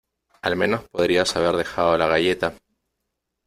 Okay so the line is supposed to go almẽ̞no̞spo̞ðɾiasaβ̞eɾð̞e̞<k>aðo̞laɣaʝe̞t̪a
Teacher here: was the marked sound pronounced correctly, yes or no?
no